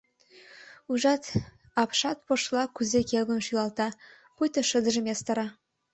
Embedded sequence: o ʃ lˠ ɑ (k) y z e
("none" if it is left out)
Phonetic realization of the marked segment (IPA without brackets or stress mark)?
k